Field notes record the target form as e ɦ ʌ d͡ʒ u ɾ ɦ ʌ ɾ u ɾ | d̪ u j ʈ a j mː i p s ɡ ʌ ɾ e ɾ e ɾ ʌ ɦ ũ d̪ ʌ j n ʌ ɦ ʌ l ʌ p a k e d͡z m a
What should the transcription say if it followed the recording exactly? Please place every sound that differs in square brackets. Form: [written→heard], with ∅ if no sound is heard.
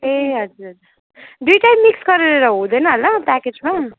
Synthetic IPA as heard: e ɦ ʌ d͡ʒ u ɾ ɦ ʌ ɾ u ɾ | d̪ u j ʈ a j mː i [p→k] s ɡ ʌ ɾ e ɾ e ɾ ʌ ɦ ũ d̪ ʌ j n ʌ ɦ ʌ l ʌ p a k e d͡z m a